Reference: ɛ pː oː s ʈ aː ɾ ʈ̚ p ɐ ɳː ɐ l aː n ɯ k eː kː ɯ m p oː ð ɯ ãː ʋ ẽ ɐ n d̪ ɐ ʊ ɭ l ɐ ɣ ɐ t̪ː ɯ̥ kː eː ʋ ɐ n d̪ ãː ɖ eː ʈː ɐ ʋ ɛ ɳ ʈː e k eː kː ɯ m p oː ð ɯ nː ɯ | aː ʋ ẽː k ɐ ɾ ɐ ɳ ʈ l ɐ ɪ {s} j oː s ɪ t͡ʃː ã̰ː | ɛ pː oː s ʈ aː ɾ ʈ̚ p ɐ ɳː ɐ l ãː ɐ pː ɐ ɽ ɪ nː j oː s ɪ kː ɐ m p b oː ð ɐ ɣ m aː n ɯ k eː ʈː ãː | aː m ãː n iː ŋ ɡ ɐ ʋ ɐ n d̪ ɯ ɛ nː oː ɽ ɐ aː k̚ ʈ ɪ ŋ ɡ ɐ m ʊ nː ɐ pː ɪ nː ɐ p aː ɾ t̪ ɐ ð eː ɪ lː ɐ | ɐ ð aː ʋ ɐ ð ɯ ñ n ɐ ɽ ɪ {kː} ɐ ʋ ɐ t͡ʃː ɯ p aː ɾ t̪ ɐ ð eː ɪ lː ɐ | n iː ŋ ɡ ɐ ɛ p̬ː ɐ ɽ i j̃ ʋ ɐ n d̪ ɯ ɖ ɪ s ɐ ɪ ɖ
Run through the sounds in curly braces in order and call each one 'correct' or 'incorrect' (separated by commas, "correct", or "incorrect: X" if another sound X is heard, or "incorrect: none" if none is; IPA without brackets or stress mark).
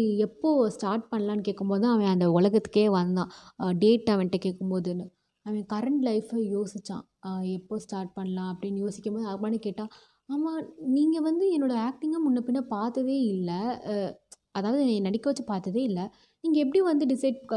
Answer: incorrect: f, correct